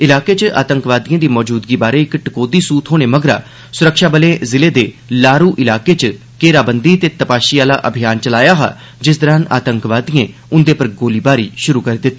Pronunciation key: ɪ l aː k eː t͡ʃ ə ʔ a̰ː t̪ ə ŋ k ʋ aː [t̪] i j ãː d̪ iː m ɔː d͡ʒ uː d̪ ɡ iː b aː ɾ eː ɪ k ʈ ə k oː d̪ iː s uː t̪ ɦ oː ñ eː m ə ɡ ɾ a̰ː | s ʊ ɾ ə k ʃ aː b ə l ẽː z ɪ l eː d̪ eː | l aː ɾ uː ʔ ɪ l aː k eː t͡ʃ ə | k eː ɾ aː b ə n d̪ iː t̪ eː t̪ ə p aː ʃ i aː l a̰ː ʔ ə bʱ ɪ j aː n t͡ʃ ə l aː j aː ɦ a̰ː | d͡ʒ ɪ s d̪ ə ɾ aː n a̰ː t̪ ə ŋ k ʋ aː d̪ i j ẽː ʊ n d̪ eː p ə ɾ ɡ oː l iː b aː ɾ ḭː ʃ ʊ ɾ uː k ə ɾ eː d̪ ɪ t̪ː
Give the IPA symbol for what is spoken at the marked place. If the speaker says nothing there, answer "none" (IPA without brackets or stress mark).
d̪